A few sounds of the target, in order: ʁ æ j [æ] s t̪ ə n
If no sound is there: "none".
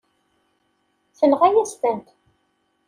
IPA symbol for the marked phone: æ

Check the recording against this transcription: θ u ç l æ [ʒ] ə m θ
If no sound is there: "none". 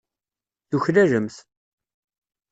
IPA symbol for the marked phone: ʒ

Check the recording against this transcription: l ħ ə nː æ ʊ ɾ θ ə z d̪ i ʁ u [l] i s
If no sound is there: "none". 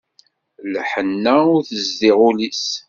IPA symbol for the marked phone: l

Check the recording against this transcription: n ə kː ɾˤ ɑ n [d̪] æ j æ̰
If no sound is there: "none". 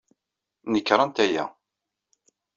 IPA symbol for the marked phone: t̪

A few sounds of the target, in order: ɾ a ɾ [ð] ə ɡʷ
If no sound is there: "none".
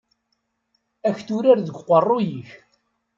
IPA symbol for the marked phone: ð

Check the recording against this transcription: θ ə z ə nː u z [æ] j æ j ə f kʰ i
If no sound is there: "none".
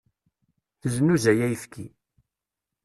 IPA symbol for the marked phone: æ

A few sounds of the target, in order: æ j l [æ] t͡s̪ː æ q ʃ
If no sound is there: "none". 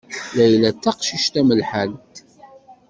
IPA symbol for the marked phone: æ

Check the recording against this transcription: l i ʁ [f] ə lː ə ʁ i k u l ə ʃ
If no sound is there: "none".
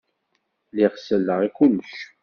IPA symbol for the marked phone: s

